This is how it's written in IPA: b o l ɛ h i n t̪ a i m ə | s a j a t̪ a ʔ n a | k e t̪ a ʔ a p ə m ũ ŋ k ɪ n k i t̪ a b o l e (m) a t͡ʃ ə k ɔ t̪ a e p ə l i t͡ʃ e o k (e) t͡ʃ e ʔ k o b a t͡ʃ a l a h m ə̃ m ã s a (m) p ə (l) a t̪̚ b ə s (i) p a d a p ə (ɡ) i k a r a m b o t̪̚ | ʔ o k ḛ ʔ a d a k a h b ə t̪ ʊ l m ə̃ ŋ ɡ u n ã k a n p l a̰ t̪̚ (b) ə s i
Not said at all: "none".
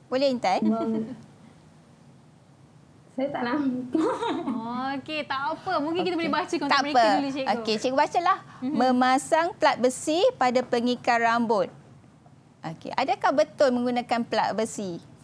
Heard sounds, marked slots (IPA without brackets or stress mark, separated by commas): b, e, ŋ, l, i, ŋ, b